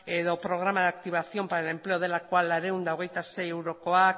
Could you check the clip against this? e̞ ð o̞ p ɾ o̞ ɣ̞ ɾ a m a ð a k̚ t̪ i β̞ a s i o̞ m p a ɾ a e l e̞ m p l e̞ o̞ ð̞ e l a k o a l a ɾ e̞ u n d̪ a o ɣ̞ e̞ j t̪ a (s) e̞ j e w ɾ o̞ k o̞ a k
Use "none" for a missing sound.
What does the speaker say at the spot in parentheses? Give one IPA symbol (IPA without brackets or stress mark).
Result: s